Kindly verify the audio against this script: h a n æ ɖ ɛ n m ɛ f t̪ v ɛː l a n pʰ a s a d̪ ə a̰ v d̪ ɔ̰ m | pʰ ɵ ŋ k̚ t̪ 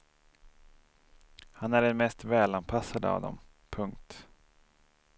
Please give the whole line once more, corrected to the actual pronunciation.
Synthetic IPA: h a n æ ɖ ɛ n m ɛ s t̪ v ɛː l a n pʰ a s a d̪ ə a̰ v d̪ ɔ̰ m | pʰ ɵ ŋ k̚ t̪